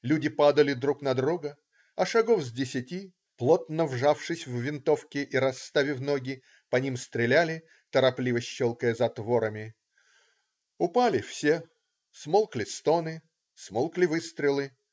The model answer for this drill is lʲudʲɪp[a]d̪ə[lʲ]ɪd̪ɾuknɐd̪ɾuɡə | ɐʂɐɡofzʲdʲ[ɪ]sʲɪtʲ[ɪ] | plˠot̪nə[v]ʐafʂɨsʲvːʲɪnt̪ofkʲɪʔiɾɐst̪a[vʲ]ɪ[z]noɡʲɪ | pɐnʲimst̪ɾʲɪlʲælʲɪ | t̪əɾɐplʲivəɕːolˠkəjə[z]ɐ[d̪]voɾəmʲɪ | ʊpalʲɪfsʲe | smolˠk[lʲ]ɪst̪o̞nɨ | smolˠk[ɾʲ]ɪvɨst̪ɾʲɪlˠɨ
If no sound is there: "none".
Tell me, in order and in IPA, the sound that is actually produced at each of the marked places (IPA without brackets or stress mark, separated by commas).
a, lʲ, ɪ, i, v, vʲ, v, z, t̪, lʲ, lʲ